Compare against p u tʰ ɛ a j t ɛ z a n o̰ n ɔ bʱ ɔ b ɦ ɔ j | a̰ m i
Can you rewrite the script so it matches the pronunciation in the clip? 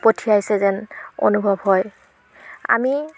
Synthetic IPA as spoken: p o tʰ i a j s ɛ z ɛ n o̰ n u bʱ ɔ b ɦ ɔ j | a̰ m i